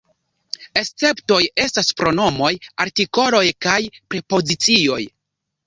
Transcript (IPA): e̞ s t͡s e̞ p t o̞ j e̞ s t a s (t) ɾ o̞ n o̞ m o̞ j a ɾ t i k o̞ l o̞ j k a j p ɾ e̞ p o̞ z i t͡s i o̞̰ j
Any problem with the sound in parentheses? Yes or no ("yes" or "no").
yes